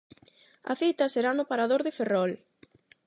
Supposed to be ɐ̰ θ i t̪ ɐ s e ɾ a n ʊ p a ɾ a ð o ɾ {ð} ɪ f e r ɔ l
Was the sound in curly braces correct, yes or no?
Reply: yes